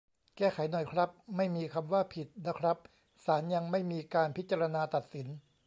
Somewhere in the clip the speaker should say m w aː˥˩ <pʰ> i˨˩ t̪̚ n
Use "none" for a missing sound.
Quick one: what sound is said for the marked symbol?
pʰ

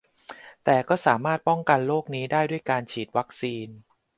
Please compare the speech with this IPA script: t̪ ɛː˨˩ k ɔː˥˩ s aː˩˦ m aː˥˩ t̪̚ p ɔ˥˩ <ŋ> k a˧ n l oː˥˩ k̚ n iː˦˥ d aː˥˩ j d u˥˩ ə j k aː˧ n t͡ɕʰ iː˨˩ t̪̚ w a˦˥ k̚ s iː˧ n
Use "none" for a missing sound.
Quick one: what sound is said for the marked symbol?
ŋ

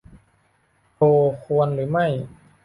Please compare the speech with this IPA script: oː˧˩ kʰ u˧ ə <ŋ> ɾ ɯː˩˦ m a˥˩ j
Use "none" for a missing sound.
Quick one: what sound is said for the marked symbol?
n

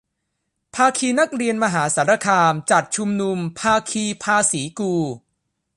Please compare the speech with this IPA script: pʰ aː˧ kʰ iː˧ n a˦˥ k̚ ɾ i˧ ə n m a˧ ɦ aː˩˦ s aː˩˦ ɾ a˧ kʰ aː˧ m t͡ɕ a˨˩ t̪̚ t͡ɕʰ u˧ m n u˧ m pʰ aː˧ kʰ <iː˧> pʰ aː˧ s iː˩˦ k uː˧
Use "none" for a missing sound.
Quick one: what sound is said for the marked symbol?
iː˧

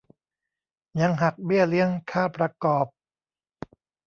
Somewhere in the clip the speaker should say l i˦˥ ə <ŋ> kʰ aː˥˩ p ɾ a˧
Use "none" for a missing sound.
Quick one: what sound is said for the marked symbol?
ŋ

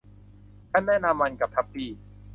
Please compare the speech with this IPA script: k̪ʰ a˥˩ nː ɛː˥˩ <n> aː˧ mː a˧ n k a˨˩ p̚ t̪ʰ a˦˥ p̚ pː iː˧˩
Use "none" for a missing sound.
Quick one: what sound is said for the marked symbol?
n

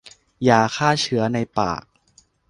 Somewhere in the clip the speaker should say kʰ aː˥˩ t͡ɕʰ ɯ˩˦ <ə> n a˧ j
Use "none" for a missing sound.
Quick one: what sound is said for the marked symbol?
ɐ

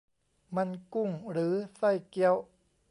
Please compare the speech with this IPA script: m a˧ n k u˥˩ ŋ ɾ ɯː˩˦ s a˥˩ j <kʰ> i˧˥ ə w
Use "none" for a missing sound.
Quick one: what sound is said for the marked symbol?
k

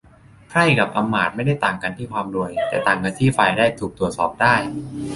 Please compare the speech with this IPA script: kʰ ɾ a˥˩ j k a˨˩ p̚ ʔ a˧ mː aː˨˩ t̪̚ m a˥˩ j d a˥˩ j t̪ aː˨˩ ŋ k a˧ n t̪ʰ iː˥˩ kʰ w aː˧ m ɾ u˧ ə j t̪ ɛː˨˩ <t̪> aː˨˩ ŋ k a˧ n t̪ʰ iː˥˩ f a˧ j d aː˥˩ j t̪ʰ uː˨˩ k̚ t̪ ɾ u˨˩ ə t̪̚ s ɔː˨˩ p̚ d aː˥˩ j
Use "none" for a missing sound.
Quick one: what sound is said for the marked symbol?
t̪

